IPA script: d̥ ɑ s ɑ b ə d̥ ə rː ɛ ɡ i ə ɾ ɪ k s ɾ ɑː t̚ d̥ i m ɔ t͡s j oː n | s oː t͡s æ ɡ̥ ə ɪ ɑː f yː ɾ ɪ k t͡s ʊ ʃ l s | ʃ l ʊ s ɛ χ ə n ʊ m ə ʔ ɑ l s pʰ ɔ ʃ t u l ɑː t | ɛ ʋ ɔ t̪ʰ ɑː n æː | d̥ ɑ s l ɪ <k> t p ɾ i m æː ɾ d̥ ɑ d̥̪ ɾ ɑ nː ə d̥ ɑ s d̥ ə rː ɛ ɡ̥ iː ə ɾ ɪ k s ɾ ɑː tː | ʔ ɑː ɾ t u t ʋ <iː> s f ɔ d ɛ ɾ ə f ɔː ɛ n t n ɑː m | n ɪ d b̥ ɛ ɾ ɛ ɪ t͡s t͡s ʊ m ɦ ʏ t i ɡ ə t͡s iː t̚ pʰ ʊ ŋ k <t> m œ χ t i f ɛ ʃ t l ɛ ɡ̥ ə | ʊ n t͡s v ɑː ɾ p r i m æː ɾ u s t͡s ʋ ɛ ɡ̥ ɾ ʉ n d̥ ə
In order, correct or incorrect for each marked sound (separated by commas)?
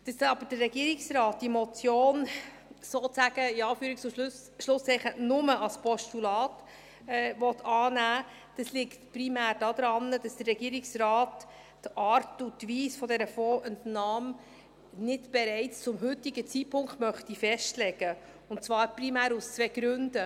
correct, correct, correct